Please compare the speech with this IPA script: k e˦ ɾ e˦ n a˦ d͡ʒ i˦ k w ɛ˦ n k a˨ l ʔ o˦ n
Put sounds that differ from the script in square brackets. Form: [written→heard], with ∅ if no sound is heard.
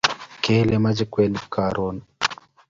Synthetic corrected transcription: k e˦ [ɾ→l] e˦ [n→m] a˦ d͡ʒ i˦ k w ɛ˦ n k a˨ [l→ɾ] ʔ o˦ n